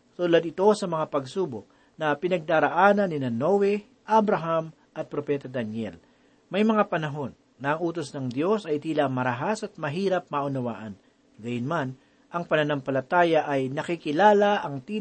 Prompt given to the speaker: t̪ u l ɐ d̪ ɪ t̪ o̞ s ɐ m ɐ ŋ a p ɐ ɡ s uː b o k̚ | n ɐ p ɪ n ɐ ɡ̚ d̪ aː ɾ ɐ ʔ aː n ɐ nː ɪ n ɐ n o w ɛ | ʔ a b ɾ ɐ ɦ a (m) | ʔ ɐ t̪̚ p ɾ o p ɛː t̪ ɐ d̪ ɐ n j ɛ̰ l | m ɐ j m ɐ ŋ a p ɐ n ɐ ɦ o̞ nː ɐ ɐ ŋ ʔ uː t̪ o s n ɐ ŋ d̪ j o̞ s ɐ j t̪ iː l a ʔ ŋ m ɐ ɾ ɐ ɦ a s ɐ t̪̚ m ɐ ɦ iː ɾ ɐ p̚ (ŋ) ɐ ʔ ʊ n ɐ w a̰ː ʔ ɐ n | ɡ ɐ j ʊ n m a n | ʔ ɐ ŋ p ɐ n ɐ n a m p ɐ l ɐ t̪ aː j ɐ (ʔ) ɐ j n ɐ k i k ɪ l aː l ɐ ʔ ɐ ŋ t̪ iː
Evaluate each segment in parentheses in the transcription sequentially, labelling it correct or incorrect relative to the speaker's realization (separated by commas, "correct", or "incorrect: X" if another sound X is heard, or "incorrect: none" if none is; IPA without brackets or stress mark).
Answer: correct, incorrect: m, correct